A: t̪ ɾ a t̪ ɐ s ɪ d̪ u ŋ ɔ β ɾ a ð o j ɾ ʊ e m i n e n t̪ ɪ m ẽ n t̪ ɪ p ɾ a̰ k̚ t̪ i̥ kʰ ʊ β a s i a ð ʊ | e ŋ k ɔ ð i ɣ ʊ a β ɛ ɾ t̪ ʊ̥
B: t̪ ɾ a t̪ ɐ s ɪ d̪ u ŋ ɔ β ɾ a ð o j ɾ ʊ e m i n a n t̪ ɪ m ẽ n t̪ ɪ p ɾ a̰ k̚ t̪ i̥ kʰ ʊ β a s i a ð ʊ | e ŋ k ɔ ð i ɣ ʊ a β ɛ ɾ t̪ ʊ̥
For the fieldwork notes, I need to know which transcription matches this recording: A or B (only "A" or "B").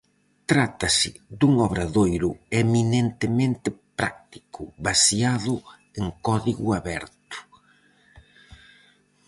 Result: A